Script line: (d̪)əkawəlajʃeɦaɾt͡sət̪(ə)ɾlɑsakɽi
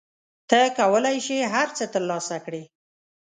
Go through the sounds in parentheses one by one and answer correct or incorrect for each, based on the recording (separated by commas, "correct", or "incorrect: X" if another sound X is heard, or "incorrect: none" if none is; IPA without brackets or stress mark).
incorrect: t̪, correct